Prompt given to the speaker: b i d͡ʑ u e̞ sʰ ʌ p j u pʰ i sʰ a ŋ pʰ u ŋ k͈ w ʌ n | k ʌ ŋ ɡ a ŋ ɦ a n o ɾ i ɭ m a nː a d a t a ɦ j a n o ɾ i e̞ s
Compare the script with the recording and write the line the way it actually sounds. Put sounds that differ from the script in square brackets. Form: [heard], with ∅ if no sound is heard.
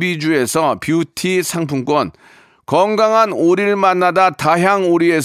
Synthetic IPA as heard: b i d͡ʑ u e̞ sʰ ʌ p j u [tʰ] i sʰ a ŋ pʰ u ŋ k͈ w ʌ n | k ʌ ŋ ɡ a ŋ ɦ a n o ɾ i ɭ m a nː a d a t a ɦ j a [ŋ] o ɾ i e̞ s